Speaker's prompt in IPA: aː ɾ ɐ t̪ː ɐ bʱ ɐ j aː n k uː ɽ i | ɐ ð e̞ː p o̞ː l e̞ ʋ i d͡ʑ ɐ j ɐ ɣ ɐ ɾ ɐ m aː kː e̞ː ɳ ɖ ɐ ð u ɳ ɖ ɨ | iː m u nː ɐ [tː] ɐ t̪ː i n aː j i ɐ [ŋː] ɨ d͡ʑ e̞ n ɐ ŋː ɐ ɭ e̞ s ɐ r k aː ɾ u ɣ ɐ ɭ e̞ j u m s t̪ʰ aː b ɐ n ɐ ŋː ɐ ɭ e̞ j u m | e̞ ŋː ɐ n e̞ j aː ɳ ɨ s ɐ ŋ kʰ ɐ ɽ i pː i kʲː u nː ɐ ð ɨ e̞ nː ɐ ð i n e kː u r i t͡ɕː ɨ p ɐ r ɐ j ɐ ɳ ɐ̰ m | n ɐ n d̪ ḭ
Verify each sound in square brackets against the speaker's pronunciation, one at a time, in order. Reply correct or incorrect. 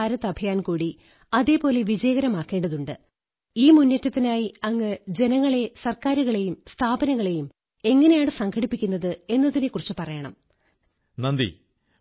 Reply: correct, correct

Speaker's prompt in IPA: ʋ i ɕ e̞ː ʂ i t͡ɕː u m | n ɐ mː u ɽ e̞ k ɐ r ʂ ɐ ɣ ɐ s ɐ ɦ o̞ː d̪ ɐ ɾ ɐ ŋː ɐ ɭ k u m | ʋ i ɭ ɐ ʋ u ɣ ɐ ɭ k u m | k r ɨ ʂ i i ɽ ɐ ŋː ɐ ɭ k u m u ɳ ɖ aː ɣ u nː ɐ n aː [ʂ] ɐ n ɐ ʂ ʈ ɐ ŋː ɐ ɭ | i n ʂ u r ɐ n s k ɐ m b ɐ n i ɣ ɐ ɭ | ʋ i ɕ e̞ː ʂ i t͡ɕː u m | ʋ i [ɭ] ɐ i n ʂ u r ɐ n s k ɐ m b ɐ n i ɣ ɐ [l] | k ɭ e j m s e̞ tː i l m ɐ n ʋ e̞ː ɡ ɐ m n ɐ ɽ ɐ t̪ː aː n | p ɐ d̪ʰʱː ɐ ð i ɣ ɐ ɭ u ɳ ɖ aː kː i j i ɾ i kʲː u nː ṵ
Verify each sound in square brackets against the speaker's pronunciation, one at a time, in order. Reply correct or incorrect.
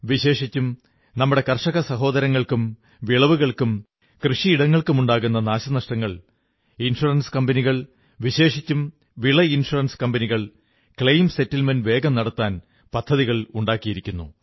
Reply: incorrect, correct, incorrect

